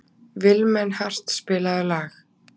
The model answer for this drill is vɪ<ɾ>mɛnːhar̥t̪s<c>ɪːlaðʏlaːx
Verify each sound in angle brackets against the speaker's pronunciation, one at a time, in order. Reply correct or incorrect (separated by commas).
incorrect, incorrect